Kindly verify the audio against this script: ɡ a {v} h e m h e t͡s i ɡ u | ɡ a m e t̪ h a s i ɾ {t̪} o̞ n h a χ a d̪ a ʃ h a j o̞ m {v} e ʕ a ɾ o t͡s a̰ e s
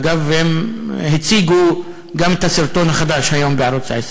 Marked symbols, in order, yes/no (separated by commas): yes, yes, no